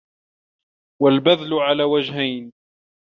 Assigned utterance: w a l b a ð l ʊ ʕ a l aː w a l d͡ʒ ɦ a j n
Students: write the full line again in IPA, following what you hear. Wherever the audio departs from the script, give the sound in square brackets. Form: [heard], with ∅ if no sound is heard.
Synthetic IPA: w a l b a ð l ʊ ʕ a l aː w a [∅] d͡ʒ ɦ a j n